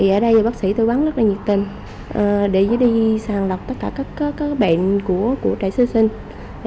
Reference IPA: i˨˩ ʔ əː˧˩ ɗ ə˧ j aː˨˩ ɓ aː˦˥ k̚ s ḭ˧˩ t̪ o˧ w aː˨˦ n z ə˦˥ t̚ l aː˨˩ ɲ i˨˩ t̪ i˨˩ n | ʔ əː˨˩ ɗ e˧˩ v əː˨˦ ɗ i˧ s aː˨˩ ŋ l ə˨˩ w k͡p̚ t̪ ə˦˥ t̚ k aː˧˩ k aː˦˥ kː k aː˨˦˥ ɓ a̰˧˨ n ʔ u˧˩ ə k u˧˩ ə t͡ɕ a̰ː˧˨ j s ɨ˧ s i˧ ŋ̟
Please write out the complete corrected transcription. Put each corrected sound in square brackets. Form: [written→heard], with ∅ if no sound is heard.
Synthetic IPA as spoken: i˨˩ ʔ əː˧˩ ɗ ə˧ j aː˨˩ ɓ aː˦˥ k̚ s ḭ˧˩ t̪ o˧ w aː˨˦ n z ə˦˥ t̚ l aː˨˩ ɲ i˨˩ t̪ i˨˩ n | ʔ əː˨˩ ɗ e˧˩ [v→z] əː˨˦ ɗ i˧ s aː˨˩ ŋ l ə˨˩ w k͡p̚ t̪ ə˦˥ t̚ k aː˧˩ k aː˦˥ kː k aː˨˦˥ ɓ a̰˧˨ n [ʔ→k] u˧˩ ə k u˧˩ ə t͡ɕ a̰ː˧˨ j s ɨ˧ s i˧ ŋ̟